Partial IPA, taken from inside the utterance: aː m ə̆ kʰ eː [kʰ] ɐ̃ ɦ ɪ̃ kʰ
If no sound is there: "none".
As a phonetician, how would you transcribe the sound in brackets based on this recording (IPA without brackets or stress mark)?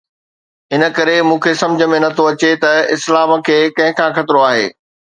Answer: k